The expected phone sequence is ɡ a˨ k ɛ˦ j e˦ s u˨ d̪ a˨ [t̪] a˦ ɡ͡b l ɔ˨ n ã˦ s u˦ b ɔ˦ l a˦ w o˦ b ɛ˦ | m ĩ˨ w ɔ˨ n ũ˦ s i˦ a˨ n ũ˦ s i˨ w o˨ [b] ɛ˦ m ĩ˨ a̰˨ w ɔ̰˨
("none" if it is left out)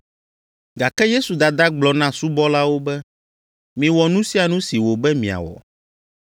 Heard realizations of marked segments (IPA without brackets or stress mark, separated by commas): d̪, b